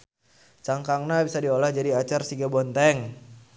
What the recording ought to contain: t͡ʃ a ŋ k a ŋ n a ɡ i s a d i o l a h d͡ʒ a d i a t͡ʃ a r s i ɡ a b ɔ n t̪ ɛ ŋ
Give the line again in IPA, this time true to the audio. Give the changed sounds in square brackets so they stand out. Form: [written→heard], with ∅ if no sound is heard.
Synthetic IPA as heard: t͡ʃ a ŋ k a ŋ n a [ɡ→b] i s a d i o l a h d͡ʒ a d i a t͡ʃ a r s i ɡ a b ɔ n t̪ ɛ ŋ